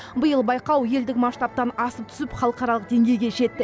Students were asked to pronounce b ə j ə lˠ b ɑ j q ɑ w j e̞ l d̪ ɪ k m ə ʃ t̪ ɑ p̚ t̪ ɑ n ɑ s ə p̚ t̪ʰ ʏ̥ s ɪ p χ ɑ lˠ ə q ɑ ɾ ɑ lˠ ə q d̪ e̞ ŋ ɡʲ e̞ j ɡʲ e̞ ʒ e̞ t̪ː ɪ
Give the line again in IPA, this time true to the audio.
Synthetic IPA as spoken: b ə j ə lˠ b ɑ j q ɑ w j e̞ l d̪ ɪ k m ɑ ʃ t̪ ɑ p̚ t̪ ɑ n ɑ s ə p̚ t̪ʰ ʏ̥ s ɪ p χ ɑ lˠ ə q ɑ ɾ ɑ lˠ ə q d̪ e̞ ŋ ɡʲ e̞ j ɡʲ e̞ ʒ e̞ t̪ː ɪ